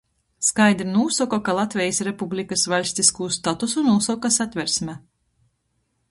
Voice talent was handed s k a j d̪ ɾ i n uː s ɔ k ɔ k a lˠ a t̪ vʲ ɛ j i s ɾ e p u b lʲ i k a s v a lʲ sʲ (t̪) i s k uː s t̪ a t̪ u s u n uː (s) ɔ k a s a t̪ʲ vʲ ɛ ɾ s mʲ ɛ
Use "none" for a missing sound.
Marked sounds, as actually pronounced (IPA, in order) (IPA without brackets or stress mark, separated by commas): t̪, s